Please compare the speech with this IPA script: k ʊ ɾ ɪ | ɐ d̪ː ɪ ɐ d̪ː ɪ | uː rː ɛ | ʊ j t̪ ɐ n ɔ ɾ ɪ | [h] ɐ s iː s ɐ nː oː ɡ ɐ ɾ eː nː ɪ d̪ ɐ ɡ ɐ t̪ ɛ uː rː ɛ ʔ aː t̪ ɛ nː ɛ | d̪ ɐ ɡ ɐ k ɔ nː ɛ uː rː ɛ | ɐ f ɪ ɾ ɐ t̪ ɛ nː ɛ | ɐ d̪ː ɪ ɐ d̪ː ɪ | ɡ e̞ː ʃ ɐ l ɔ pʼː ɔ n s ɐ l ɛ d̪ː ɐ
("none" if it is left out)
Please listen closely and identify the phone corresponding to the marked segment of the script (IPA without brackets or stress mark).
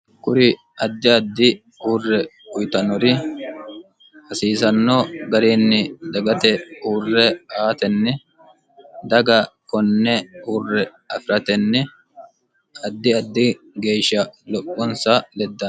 h